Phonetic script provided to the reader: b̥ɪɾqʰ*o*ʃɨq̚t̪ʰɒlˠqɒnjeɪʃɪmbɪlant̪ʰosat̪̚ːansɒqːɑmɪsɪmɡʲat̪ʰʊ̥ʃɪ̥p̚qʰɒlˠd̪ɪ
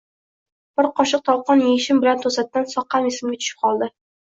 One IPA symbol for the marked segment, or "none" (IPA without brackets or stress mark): ɒ